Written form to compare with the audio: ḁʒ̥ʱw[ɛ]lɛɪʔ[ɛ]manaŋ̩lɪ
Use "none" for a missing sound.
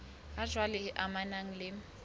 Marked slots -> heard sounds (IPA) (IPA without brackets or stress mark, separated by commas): a, a